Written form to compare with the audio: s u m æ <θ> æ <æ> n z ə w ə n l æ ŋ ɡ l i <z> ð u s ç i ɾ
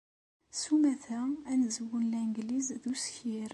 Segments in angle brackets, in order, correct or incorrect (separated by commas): correct, correct, correct